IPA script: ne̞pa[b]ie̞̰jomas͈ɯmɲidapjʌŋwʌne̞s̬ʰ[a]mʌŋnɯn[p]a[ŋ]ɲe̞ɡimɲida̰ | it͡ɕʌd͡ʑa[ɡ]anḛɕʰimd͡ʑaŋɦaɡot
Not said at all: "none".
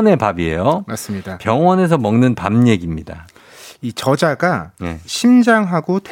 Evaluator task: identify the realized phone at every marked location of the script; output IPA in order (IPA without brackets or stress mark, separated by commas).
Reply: b, ʌ, p, m, ɡ